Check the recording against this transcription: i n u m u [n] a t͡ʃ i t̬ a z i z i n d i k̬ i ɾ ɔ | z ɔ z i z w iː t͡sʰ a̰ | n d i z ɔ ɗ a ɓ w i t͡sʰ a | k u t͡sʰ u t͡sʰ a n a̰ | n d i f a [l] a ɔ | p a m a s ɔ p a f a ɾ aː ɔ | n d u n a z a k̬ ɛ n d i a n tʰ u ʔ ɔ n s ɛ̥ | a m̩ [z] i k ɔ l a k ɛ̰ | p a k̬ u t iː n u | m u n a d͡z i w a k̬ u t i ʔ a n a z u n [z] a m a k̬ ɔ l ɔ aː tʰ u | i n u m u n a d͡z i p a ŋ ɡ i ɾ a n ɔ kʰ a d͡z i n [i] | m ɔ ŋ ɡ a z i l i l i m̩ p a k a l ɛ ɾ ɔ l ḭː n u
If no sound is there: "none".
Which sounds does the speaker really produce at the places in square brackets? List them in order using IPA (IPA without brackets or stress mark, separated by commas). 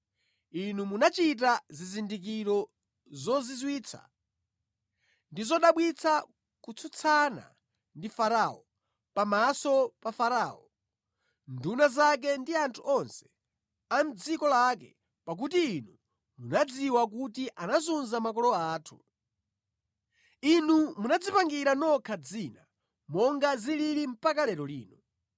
n, ɾ, d͡z, z, a